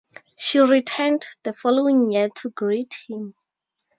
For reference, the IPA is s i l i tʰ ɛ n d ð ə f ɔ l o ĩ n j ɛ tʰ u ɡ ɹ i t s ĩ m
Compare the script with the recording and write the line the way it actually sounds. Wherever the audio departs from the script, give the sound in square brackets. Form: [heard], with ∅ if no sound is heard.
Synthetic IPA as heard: [ʃ] i [ɹ] i tʰ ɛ n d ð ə f ɔ l o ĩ [ŋ] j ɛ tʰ u ɡ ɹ i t [h] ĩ m

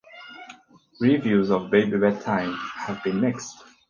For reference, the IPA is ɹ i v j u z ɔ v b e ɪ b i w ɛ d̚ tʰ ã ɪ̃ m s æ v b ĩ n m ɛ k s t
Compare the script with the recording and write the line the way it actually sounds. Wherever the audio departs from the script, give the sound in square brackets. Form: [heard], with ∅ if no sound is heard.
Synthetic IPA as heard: ɹ i v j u z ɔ v b e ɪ b i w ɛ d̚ tʰ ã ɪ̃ m [h] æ v b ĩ n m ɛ k s t

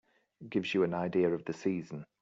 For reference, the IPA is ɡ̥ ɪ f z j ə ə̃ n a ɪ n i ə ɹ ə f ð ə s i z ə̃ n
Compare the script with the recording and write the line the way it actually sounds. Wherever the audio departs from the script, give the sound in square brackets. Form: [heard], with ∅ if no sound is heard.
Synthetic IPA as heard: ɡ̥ ɪ [v] z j ə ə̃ n a ɪ [d] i ə ɹ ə [v] ð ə s [iː] z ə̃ n

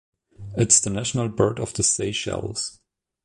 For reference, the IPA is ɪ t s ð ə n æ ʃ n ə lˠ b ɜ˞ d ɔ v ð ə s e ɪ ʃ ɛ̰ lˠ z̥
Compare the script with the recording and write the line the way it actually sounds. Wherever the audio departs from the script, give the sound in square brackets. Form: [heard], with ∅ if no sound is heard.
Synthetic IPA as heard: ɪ t s ð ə n æ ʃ n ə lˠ b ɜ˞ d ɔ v ð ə s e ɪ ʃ ɛ̰ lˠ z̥

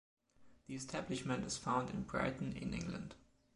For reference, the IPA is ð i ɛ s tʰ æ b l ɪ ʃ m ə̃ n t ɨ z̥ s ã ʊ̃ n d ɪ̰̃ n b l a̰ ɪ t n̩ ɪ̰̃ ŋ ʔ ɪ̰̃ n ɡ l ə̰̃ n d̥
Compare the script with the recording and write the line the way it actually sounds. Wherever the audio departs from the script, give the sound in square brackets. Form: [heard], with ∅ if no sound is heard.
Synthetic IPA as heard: ð i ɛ s tʰ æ b l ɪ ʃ m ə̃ n t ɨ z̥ [f] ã ʊ̃ n d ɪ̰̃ n b [ɹ] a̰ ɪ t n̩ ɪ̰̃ [n] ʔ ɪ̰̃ [ŋ] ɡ l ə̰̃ n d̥

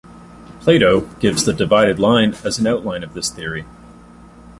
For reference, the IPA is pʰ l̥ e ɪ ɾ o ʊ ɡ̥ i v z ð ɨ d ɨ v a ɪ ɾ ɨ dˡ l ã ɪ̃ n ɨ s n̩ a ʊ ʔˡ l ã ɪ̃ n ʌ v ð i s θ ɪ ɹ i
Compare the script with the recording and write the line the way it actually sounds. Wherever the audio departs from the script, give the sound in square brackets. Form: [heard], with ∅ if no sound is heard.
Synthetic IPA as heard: pʰ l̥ e ɪ ɾ o ʊ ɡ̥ [ɪ] v z ð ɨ d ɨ v a ɪ ɾ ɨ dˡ l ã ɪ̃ n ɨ [z] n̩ a ʊ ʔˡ l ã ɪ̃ n ʌ v ð [ɪ] s θ ɪ ɹ i

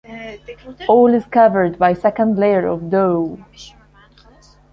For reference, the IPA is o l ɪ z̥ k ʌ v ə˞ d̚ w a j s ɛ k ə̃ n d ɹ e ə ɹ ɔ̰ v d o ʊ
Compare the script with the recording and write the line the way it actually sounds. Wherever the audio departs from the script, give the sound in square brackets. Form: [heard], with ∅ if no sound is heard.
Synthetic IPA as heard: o l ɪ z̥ k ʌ v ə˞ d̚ [b] a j s ɛ k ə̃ n d [l] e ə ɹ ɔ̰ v d o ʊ

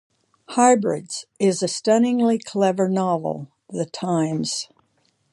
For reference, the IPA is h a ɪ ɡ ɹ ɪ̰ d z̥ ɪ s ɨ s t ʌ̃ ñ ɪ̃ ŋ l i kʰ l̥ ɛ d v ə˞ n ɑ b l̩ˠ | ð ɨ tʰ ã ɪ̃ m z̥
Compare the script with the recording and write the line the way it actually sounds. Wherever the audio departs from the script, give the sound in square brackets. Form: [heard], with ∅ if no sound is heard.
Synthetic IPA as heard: h a ɪ [b] ɹ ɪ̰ d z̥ ɪ [z] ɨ s t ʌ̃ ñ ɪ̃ ŋ l i kʰ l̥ ɛ [∅] v ə˞ n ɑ [v] l̩ˠ | ð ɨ tʰ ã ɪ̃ m z̥

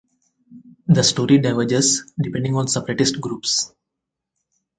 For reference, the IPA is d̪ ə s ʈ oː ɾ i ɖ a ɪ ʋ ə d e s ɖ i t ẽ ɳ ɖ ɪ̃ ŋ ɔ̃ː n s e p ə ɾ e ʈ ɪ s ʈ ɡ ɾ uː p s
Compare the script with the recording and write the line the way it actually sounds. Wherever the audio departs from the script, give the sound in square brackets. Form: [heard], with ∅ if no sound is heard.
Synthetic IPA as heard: d̪ ə s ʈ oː ɾ i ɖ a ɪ ʋ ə [d͡ʒ] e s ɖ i [p] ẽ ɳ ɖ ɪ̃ ŋ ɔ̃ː n s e p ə ɾ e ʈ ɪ s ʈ ɡ ɾ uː p s

